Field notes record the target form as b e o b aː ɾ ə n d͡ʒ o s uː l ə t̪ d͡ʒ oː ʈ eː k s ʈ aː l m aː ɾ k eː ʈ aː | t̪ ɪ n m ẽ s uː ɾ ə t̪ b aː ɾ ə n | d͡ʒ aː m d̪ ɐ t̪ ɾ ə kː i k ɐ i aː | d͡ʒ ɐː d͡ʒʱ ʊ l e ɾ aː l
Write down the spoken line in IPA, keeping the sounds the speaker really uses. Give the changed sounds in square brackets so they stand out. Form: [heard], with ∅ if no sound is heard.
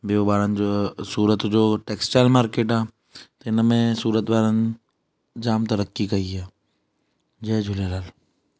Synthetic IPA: b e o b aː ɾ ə n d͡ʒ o s uː [ɾ] ə t̪ d͡ʒ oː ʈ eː k s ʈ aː l m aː ɾ k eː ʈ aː | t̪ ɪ n m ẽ s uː ɾ ə t̪ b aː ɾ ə n | d͡ʒ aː m [t̪] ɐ [∅] ɾ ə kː i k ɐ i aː | d͡ʒ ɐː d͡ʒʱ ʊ l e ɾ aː l